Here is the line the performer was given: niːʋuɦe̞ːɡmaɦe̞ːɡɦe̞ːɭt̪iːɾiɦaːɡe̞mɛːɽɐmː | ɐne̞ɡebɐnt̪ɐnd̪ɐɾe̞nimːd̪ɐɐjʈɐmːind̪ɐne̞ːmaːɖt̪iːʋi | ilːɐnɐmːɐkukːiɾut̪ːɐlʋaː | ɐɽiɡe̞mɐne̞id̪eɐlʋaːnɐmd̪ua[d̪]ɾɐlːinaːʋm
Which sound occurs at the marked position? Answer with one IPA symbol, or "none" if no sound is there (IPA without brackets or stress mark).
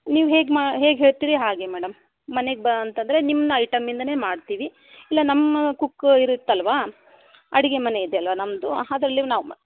d̪